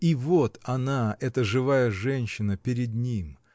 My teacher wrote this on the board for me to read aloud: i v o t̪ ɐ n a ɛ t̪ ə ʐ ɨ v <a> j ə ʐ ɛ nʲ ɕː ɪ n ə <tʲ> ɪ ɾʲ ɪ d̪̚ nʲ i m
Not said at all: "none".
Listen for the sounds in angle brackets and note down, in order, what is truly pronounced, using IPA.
a, pʲ

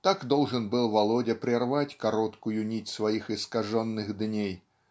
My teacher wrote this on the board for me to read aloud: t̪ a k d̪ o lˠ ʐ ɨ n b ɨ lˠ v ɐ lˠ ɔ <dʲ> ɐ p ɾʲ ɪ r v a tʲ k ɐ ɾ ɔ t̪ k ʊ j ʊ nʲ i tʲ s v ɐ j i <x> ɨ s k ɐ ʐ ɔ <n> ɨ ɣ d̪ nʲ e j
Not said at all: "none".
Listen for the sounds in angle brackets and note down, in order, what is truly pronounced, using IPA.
dʲ, x, nː

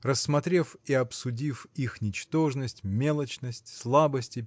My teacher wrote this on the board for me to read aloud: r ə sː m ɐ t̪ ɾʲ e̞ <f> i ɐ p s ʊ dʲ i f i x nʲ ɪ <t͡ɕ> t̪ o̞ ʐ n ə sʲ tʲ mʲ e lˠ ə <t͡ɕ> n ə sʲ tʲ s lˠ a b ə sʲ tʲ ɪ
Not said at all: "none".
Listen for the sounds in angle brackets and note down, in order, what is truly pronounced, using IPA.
f, t͡ɕ, t͡ɕ

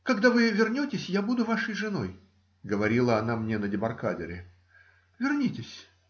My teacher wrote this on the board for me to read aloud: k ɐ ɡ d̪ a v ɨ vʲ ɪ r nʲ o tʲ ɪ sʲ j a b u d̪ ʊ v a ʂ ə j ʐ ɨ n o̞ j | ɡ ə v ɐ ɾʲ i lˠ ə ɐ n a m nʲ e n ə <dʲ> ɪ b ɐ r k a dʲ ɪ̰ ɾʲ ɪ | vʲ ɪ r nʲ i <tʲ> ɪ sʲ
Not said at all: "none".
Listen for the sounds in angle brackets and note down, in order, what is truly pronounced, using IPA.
dʲ, tʲ

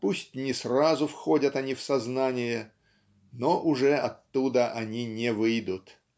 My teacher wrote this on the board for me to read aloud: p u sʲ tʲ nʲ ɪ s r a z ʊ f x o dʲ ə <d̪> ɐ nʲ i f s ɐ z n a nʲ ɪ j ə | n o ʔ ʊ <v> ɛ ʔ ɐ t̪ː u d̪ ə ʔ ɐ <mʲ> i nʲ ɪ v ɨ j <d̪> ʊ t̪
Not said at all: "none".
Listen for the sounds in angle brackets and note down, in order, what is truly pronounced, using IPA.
t̪, ʐ, nʲ, d̪

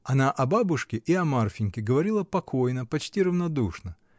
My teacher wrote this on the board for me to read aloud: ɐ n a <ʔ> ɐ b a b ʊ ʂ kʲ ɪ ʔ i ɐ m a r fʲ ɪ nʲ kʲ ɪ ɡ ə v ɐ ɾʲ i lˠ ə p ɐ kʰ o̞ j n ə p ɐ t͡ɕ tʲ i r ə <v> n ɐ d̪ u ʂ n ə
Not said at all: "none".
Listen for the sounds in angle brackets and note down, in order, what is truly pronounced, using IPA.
ʔ, v

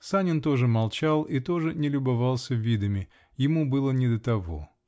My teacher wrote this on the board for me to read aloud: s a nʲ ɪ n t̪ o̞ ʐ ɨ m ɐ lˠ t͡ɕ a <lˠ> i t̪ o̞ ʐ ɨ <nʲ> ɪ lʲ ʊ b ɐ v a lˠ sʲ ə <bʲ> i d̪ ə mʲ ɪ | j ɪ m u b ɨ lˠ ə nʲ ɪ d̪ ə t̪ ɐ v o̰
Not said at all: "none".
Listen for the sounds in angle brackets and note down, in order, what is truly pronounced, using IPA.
lˠ, nʲ, vʲ

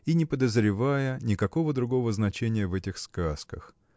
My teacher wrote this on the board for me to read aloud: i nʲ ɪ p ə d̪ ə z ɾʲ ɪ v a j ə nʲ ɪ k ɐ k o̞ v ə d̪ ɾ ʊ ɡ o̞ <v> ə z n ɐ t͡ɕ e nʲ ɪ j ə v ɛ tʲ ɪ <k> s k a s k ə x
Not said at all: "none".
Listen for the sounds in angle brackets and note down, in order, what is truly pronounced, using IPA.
v, x

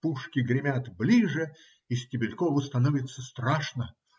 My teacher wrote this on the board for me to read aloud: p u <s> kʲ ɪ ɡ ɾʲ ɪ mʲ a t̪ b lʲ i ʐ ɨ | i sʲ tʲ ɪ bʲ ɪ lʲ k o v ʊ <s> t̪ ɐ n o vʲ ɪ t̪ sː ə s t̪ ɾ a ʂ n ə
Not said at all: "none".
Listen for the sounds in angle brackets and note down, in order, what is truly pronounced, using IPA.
ʂ, s

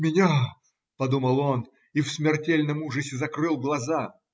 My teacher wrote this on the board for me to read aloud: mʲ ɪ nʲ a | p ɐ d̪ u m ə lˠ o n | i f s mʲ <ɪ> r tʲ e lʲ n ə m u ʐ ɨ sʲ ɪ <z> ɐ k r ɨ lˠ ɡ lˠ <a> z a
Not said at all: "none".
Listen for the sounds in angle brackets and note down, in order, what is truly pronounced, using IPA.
ɪ, z, ɐ

